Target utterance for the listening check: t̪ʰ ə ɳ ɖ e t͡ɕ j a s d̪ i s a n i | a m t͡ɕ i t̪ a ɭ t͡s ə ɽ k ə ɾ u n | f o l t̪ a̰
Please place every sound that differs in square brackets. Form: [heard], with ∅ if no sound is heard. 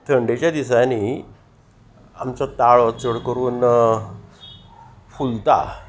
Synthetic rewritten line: t̪ʰ ə ɳ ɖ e t͡ɕ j a [∅] d̪ i s a n i | a m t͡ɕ [a] t̪ a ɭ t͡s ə ɽ k ə ɾ [uː] n | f [u] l t̪ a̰